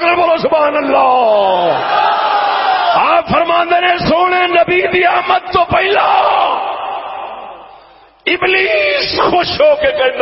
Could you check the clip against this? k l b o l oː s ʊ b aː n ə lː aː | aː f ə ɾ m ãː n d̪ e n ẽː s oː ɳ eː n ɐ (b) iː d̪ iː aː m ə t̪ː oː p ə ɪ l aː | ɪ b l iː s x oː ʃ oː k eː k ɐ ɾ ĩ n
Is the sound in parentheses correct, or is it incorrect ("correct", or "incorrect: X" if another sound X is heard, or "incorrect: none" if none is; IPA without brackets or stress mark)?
correct